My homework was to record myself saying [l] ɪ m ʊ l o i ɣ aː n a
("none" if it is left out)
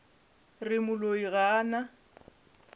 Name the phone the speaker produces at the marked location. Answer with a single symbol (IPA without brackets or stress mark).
r